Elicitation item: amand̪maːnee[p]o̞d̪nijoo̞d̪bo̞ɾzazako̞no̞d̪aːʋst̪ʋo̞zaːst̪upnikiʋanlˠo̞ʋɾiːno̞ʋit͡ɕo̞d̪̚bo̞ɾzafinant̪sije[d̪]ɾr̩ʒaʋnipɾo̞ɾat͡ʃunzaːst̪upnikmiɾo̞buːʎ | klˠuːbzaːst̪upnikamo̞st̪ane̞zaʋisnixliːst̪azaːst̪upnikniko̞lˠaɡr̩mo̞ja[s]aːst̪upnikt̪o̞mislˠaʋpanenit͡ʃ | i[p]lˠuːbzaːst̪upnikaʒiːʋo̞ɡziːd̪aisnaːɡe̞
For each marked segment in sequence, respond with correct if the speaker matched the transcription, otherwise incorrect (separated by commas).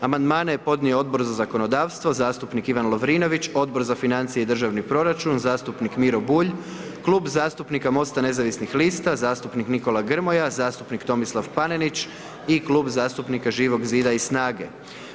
correct, correct, incorrect, incorrect